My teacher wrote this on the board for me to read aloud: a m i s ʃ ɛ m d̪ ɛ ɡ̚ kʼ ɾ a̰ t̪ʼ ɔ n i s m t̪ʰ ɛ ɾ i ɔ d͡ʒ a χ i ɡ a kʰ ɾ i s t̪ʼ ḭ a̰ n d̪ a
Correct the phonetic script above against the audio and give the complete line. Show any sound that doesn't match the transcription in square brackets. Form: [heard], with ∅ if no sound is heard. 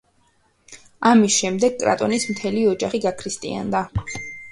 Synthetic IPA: a m i s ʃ ɛ m d̪ ɛ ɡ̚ kʼ ɾ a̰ t̪ʼ ɔ n i s m t̪ʰ ɛ [l] i ɔ d͡ʒ a χ i ɡ a kʰ ɾ i s t̪ʼ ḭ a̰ n d̪ a